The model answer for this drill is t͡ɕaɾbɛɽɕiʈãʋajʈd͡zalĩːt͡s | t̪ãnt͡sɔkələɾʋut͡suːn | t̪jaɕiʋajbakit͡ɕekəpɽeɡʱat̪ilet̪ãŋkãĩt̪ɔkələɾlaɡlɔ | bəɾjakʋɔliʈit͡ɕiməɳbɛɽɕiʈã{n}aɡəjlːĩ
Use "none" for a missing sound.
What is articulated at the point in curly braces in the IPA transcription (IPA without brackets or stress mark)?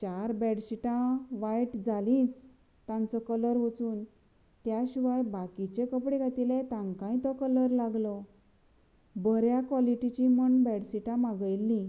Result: m